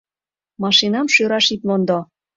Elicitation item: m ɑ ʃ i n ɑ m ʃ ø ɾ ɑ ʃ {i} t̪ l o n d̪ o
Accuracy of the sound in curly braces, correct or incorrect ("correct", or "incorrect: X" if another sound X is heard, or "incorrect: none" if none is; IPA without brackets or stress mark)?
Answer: correct